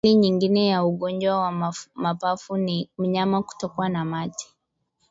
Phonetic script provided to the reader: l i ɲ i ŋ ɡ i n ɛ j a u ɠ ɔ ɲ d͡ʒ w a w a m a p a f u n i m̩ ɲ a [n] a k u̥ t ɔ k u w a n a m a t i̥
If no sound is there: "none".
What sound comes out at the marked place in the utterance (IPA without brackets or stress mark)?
m